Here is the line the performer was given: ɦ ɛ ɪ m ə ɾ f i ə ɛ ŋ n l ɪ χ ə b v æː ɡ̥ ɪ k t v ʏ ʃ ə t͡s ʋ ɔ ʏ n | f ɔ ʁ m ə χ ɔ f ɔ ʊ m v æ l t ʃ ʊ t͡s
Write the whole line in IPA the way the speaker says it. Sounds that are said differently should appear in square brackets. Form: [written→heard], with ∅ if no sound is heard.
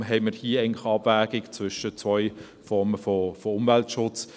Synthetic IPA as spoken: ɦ ɛ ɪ m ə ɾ [f→h] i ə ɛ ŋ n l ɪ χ [ə→ɑ] b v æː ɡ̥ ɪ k [t→t͡s] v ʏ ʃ ə t͡s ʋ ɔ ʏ [n→∅] | f ɔ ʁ m ə [χ→f] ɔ f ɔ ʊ m v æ l t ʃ ʊ t͡s